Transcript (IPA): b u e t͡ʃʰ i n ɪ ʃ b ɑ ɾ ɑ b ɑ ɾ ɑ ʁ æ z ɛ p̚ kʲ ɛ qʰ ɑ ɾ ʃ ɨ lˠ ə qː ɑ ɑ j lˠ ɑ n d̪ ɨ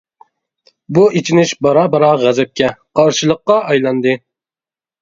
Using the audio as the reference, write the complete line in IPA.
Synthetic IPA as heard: b u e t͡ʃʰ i n ɪ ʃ b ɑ ɾ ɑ b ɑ ɾ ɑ ʁ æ z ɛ p̚ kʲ ɛ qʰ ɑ ɾ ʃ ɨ lˠ ə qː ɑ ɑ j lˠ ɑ n d̪ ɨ